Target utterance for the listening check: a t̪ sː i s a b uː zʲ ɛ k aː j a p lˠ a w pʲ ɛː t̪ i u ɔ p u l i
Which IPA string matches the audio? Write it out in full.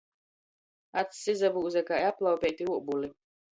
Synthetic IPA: a t̪ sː i z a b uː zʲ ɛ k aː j a p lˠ a w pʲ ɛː t̪ i u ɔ b u l i